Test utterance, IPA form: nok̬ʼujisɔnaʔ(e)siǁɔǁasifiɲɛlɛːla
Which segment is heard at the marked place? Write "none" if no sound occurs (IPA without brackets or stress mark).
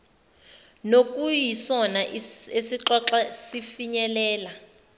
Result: e